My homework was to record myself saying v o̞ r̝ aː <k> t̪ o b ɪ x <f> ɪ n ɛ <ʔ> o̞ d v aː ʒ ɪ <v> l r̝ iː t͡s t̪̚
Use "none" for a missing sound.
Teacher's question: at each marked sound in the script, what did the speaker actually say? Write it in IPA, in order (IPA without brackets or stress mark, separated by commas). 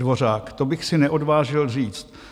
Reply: k, s, ʔ, none